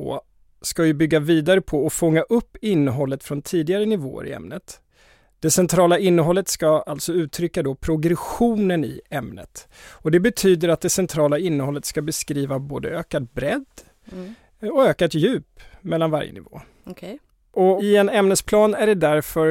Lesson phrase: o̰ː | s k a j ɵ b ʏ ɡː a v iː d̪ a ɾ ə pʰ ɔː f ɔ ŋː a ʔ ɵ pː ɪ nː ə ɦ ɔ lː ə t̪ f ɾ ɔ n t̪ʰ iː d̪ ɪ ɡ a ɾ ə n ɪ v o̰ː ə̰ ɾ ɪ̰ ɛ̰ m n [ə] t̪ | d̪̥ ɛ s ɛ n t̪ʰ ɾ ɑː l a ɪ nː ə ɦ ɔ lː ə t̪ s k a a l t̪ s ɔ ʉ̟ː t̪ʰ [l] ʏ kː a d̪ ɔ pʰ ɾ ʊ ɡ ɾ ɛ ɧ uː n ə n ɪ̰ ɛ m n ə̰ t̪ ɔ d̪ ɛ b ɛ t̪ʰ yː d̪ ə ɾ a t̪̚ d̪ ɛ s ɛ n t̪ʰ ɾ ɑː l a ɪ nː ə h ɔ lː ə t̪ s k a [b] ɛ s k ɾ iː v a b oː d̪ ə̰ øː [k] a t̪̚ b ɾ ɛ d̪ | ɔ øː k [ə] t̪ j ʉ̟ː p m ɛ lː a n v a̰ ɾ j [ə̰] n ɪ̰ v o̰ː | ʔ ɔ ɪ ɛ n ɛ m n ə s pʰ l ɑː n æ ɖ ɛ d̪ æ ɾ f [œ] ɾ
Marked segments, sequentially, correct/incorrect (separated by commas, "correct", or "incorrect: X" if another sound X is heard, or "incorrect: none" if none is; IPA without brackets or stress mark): correct, incorrect: ɾ, correct, correct, incorrect: a, correct, correct